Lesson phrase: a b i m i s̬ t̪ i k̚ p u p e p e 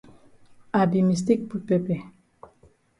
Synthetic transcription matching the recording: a b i m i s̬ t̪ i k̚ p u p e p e